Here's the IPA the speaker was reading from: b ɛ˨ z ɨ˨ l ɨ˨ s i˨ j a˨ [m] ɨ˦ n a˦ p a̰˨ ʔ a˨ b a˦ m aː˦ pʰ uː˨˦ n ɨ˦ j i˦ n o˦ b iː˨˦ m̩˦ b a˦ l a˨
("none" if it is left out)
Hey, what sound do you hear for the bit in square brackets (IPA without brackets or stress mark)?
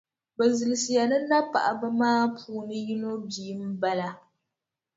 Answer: n